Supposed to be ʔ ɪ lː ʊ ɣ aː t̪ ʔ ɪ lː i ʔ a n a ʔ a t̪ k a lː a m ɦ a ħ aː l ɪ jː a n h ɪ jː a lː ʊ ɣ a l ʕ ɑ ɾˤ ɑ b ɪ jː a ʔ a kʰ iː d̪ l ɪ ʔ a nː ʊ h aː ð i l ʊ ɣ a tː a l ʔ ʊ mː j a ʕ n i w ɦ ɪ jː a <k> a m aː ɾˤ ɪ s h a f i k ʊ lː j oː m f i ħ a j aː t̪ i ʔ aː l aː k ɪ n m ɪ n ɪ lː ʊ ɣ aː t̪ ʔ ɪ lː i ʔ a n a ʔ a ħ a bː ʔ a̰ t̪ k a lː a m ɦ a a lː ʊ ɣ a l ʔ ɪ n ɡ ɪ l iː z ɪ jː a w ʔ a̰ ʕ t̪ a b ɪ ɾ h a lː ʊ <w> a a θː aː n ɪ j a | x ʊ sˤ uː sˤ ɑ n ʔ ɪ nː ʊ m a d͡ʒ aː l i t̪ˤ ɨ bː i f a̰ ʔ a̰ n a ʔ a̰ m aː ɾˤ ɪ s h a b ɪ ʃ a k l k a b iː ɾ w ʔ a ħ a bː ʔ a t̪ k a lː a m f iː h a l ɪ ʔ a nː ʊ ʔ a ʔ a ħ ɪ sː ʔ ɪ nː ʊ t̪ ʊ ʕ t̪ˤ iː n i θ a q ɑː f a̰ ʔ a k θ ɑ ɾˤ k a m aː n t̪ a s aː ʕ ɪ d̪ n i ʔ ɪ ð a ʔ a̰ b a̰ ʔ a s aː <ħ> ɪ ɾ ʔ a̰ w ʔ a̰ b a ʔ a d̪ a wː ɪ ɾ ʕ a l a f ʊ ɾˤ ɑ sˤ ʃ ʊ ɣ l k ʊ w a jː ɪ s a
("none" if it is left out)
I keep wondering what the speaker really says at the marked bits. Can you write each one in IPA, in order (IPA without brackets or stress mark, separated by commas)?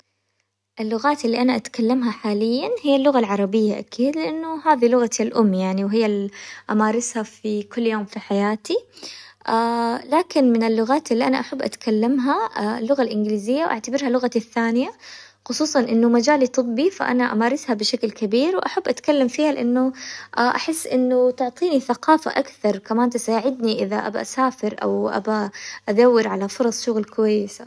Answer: ʔ, ɣ, f